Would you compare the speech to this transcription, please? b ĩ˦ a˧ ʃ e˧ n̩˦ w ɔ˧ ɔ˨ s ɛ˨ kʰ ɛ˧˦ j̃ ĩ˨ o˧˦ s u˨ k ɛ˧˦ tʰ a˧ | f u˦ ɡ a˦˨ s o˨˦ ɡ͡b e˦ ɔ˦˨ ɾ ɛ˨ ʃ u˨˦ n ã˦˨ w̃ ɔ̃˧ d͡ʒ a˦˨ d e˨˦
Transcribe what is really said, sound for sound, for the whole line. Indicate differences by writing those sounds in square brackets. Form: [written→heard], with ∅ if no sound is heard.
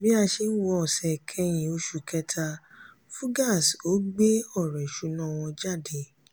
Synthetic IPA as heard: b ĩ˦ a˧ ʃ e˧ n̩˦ w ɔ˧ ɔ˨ s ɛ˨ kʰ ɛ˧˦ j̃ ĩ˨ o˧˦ [s→ʃ] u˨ k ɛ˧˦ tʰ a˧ | f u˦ ɡ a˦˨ s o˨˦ ɡ͡b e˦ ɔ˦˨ ɾ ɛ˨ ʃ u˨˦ n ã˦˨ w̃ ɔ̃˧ d͡ʒ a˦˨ d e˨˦

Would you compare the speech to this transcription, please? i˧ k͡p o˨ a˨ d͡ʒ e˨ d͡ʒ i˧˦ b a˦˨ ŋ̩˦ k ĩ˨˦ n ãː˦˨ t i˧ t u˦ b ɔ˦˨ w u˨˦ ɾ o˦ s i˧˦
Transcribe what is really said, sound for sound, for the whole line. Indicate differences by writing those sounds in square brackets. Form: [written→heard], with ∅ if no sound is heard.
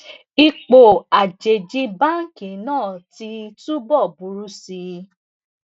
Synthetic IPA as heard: i˧ k͡p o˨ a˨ d͡ʒ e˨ d͡ʒ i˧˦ b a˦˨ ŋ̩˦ k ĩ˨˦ n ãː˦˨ t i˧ t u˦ b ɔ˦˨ [w→b] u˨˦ ɾ [o˦→u˦] s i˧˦

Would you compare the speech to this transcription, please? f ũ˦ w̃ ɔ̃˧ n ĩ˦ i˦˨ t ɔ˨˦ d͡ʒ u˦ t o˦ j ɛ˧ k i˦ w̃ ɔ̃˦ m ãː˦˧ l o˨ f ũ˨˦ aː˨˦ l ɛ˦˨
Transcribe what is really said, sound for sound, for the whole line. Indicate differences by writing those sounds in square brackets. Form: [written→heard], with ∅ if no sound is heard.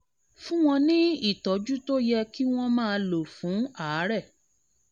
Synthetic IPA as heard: f ũ˦ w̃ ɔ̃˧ n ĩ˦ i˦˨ t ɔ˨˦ d͡ʒ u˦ t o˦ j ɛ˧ k i˦ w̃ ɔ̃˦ m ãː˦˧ l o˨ f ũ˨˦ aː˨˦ [l→ɾ] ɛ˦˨

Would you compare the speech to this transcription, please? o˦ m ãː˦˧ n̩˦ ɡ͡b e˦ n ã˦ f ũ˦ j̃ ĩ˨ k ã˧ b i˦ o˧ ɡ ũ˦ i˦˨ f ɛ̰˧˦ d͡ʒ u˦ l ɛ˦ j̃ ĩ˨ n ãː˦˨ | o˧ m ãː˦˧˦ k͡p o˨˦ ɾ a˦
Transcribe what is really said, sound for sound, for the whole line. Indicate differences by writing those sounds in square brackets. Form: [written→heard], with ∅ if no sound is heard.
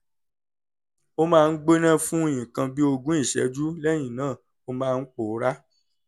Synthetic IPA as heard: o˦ m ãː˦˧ n̩˦ ɡ͡b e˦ n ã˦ f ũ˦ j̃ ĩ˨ k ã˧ b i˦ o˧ ɡ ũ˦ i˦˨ [f→ʃ] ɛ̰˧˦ d͡ʒ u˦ l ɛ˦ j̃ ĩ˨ n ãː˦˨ | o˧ m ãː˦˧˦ k͡p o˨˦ ɾ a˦

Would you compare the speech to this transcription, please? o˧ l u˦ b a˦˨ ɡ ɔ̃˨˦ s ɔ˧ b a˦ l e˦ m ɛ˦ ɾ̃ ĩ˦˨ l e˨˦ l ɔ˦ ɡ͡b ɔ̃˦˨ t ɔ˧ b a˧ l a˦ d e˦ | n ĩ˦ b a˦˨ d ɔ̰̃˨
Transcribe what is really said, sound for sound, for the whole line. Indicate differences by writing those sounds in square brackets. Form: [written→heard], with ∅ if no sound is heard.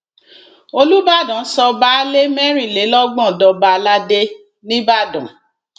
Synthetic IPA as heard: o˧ l u˦ b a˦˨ [ɡ→d] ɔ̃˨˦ s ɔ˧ b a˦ l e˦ m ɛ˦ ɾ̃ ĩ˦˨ l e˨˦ l ɔ˦ ɡ͡b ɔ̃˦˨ [t→d] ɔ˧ b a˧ l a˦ d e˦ | n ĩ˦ b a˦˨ d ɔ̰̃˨

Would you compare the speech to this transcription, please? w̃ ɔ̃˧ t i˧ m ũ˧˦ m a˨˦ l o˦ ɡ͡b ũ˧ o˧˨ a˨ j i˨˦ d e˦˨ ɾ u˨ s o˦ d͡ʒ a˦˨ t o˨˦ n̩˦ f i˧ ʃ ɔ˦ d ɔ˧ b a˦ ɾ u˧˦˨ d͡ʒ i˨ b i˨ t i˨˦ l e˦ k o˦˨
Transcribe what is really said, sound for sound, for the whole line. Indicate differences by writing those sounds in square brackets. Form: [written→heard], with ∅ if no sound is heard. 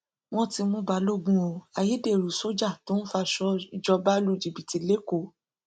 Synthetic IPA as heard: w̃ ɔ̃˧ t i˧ m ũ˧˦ [m→b] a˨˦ l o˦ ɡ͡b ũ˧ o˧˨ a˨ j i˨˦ d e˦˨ ɾ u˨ s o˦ d͡ʒ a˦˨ t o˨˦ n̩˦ f [i˧→a˧] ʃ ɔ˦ [d→d͡ʒ] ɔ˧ b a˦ [ɾ→l] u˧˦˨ d͡ʒ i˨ b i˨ t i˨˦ l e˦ k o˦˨

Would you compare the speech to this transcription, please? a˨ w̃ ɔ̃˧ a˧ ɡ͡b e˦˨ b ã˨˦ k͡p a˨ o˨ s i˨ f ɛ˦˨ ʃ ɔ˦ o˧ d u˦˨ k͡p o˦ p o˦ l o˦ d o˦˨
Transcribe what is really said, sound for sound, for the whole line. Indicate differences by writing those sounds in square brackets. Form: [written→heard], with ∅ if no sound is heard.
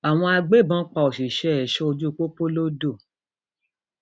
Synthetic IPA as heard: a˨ w̃ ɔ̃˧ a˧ ɡ͡b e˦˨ b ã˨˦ k͡p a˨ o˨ [s→ʃ] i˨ [f→ʃ] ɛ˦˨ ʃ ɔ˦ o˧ [d→d͡ʒ] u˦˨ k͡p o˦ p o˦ l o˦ d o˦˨

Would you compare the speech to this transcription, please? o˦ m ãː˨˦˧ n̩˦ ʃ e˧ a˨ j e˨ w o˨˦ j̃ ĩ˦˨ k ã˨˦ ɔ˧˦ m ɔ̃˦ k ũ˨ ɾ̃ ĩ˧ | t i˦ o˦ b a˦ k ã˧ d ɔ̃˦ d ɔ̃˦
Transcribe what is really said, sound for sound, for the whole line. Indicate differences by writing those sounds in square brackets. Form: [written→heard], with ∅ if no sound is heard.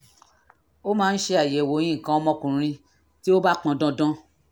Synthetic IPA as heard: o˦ m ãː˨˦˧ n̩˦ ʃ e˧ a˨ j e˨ w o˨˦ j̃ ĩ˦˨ k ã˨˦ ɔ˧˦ m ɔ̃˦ k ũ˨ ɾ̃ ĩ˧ | t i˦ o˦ b a˦ [k→k͡p] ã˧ d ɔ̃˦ d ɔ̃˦

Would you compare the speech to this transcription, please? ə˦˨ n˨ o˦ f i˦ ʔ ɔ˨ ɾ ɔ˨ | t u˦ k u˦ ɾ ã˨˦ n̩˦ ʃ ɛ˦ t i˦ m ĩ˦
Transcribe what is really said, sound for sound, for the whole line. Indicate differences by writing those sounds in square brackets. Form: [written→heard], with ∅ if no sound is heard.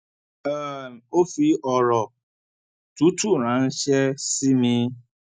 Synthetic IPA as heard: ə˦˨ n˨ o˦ f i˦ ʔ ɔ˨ ɾ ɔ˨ | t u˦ [k→t] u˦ ɾ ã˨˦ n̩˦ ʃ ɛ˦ [t→s] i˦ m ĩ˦

